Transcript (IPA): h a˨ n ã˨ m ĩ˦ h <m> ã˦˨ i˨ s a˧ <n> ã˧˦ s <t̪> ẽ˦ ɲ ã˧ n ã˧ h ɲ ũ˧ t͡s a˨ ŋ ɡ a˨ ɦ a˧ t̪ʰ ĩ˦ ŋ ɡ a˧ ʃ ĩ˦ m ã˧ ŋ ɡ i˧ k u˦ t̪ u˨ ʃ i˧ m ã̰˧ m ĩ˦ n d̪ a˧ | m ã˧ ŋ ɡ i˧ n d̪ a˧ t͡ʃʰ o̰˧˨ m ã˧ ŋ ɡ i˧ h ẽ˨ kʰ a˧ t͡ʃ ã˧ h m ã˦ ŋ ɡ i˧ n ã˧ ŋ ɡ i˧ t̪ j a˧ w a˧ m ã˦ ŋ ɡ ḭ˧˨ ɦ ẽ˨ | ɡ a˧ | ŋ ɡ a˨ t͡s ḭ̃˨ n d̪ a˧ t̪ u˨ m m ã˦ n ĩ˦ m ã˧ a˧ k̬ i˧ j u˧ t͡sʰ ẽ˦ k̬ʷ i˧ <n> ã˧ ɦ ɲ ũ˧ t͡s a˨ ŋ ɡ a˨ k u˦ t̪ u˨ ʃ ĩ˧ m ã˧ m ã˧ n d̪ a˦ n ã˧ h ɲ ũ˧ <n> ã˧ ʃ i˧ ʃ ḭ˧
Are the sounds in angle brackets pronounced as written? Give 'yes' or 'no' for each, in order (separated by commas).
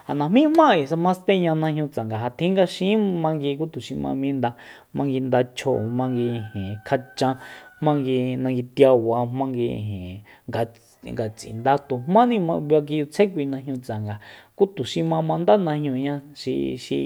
yes, no, yes, yes, no